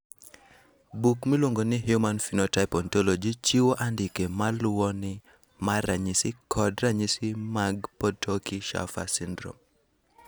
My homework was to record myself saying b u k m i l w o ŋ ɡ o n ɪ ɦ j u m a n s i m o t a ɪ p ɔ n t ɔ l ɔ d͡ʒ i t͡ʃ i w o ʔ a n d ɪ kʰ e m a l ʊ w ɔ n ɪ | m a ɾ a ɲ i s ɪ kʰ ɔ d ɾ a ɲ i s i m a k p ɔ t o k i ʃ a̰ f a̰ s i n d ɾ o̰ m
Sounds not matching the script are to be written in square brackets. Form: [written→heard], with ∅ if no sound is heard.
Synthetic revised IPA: b u k m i l w o ŋ ɡ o n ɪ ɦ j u m a n [s→f] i [m→n] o t a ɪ p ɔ n t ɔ l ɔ d͡ʒ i t͡ʃ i w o ʔ a n d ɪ [kʰ→k] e m a l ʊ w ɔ n ɪ | m a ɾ a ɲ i s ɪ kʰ ɔ d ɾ a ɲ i s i m a [k→ɡ] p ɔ t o k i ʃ a̰ f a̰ s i n d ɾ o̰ m